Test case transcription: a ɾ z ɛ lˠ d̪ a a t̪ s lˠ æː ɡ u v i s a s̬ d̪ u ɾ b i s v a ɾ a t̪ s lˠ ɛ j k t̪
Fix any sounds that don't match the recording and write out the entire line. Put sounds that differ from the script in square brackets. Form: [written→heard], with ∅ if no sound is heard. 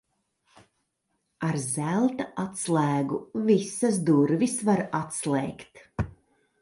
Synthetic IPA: a ɾ z [ɛ→æ] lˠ [d̪→t̪] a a t̪ s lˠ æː ɡ u v i s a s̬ d̪ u ɾ [b→v] i s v a ɾ a t̪ s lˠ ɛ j k t̪

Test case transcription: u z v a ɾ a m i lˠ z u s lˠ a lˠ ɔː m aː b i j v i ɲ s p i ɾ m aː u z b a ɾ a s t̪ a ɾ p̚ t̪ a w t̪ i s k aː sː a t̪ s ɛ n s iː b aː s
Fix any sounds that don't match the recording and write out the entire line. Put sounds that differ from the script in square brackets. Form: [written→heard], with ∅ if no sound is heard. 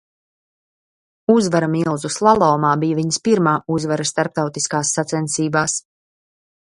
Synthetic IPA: u z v a ɾ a m i lˠ z u s lˠ a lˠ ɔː m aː b i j v i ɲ s p i ɾ m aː u z [b→v] a ɾ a s t̪ a ɾ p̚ t̪ a w t̪ i s k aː sː a t̪ s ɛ n s iː b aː s

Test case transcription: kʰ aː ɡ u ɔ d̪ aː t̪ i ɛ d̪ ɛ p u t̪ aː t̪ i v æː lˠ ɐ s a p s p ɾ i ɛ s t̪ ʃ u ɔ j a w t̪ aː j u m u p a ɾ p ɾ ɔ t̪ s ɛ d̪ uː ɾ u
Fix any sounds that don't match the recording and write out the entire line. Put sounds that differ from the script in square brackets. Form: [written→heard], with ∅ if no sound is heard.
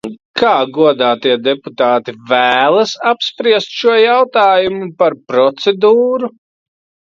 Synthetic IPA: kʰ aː ɡ u ɔ d̪ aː t̪ i ɛ d̪ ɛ p u t̪ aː t̪ i v æː lˠ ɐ s a p s p ɾ i ɛ s t̪ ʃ u ɔ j a w t̪ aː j u m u p a ɾ p ɾ ɔ t̪ s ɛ d̪ uː ɾ u

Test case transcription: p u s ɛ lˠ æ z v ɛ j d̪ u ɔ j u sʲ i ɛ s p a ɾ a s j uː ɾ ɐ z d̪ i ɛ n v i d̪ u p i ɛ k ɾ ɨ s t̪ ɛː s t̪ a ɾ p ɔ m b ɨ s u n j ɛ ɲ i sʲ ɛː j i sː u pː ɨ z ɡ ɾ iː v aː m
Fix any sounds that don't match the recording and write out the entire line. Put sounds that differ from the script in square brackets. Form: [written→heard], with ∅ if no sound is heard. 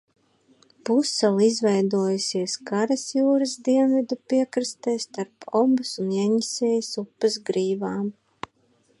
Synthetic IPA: p u s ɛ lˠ [æ→i] z v ɛ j d̪ u ɔ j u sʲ i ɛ s [p→k] a ɾ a s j uː ɾ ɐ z d̪ i ɛ n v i d̪ u p i ɛ k ɾ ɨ s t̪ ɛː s t̪ a ɾ p ɔ m b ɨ s u n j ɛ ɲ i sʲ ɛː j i [sː→s] u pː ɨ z ɡ ɾ iː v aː m

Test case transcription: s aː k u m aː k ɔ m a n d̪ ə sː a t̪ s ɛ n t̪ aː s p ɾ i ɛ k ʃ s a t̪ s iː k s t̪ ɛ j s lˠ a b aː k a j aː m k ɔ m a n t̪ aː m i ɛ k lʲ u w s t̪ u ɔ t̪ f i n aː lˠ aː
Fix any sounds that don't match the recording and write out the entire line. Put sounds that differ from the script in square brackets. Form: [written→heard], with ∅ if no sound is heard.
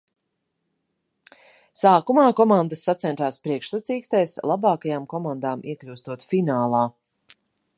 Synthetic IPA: s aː k u m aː k ɔ m a n d̪ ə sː a t̪ s ɛ n t̪ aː s p ɾ i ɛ k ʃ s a t̪ s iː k s t̪ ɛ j s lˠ a b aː k a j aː m k ɔ m a n [t̪→d̪] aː m i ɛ k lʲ u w s t̪ u ɔ t̪ f i n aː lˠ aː

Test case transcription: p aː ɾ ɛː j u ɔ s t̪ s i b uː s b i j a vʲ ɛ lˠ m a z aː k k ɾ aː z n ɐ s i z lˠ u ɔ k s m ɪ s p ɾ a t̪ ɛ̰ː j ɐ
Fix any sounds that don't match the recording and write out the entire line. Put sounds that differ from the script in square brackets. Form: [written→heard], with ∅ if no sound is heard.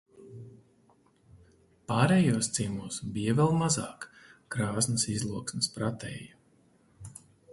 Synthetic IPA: p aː ɾ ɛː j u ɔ s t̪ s i [b→m] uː s b i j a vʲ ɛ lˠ m a z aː k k ɾ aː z n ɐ s i z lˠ u ɔ k s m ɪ s p ɾ a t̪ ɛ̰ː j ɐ

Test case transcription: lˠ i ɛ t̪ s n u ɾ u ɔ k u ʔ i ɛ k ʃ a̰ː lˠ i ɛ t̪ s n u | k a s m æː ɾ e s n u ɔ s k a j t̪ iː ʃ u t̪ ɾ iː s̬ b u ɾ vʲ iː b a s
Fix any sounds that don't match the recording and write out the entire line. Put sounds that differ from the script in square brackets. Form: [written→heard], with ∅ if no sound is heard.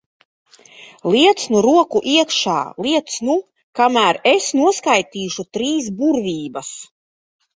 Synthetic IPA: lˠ i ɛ t̪ s n u ɾ u ɔ k u ʔ i ɛ k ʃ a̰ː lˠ i ɛ t̪ s n u | k a [s→∅] m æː ɾ e s n u ɔ s k a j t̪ iː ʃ u t̪ ɾ iː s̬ b u ɾ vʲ iː b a s

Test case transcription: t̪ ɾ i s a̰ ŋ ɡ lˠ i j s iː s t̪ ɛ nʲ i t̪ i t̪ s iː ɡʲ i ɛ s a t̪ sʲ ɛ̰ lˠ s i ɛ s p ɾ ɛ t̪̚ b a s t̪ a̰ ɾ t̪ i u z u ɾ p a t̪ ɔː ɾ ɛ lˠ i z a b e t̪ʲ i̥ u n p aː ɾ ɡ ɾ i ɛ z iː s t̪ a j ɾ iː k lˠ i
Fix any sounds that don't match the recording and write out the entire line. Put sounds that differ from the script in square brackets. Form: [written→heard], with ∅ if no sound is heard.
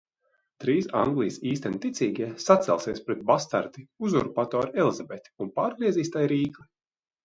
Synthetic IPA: t̪ ɾ [i→iː] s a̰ ŋ ɡ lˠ i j s iː s t̪ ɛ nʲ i t̪ i t̪ s iː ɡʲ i ɛ s a t̪ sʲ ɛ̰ lˠ s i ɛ s p ɾ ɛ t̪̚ b a s t̪ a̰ ɾ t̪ i u z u ɾ p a t̪ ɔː ɾ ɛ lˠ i z a b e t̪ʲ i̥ u n p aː ɾ ɡ ɾ i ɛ z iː s t̪ a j ɾ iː k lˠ i

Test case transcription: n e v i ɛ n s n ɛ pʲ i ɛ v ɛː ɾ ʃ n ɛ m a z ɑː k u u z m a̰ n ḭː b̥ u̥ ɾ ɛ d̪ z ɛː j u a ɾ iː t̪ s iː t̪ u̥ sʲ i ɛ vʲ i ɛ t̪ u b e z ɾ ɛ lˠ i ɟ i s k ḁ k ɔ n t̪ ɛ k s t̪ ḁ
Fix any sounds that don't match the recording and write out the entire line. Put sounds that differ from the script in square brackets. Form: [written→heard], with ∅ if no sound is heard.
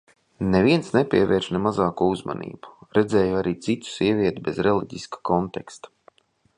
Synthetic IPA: n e v i ɛ n s n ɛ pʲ i ɛ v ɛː ɾ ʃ n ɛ m a z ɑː k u u z m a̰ n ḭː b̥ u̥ ɾ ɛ d̪ z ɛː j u a ɾ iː t̪ s [iː→i] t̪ u̥ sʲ i ɛ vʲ i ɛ t̪ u b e z ɾ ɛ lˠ i ɟ i s k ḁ k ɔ n t̪ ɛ k s t̪ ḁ

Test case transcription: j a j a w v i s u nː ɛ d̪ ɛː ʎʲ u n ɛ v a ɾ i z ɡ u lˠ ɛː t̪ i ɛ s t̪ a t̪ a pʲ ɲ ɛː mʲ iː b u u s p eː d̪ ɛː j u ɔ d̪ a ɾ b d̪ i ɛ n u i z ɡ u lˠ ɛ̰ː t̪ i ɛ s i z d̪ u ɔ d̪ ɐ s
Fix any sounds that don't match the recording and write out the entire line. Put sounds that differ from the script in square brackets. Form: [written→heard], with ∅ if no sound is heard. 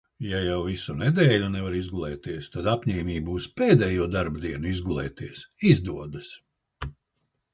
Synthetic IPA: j a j a w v i s u [nː→n] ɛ d̪ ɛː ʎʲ u n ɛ v a ɾ i z ɡ u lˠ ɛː t̪ i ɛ s t̪ a [t̪→d̪] a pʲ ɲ ɛː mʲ iː b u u s p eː d̪ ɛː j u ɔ d̪ a ɾ b d̪ i ɛ n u i z ɡ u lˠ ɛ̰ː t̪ i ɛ s i z d̪ u ɔ d̪ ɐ s

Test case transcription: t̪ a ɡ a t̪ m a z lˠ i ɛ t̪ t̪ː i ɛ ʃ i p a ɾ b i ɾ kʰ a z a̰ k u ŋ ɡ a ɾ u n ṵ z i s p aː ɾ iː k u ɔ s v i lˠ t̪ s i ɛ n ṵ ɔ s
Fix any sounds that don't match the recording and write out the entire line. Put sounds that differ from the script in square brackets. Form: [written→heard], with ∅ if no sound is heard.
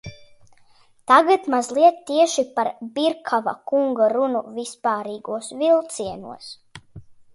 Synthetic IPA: t̪ a ɡ a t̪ m a z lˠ i ɛ t̪ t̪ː i ɛ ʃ i p a ɾ b i ɾ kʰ a [z→v] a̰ k u ŋ ɡ a ɾ u n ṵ [z→v] i s p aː ɾ iː [k→ɡ] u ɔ s v i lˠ t̪ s i ɛ n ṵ ɔ s

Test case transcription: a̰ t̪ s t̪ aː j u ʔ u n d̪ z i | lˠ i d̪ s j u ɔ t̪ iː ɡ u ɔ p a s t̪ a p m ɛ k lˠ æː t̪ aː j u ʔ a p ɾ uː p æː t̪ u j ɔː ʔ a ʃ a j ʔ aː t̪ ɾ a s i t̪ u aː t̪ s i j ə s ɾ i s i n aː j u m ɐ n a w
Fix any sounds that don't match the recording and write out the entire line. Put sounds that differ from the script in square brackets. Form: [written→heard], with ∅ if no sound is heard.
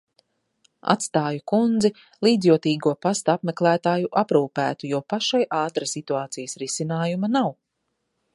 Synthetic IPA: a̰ t̪ s t̪ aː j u [ʔ→k] u n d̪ z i | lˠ [i→iː] d̪ [s→z] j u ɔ t̪ iː ɡ u ɔ p a s t̪ a p m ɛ k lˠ æː t̪ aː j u ʔ a p ɾ uː p æː t̪ u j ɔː [ʔ→p] a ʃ a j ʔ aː t̪ ɾ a s i t̪ u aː t̪ s i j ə s ɾ i s i n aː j u m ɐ n a w

